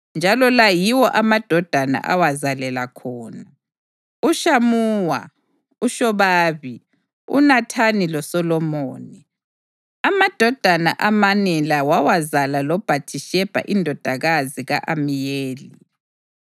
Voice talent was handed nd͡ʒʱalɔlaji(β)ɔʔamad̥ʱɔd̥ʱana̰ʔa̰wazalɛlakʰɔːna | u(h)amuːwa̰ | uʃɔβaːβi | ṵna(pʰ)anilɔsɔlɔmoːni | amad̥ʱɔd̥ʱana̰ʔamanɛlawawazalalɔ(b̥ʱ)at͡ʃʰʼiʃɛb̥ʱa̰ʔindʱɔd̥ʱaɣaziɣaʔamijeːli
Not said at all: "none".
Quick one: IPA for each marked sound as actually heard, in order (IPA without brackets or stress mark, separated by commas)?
w, ʃ, tʰ, b̥ʱ